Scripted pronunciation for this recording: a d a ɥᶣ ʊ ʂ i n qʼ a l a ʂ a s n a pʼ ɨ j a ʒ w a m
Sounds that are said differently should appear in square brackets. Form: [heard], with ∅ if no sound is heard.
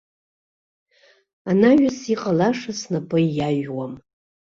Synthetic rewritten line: a [n] a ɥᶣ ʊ [s] i [∅] qʼ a l a ʂ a s n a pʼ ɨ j a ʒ w a m